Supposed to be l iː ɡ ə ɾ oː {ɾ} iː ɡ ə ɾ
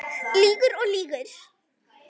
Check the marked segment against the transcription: incorrect: l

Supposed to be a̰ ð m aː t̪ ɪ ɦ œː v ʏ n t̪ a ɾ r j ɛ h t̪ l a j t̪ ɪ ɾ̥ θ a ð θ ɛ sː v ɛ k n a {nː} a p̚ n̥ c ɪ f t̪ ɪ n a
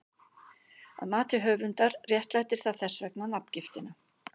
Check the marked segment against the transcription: incorrect: n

